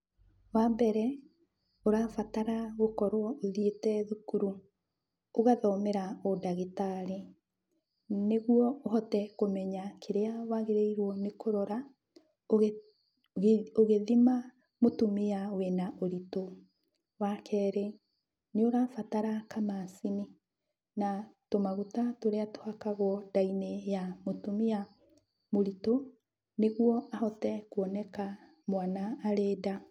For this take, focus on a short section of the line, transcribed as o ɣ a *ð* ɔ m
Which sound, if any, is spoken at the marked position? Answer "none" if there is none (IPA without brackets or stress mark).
ð